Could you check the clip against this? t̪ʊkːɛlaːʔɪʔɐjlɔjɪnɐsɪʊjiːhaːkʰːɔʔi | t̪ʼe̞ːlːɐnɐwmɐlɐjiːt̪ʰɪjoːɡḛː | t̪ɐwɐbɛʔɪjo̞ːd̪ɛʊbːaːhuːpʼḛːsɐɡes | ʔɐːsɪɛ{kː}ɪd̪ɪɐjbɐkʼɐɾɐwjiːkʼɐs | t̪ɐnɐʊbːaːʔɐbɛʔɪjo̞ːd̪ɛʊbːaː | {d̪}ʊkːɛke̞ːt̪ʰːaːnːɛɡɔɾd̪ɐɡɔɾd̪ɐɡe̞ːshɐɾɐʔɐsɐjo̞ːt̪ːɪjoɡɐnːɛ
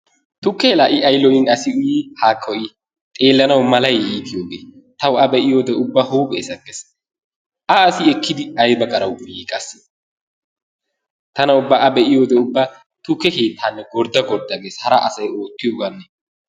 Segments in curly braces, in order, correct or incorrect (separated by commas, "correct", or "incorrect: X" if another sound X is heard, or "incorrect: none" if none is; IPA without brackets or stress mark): correct, incorrect: t̪